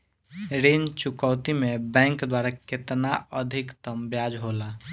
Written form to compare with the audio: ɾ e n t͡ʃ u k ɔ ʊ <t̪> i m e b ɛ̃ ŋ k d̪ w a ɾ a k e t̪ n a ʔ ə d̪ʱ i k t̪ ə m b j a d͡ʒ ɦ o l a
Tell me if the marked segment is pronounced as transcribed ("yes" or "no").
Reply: yes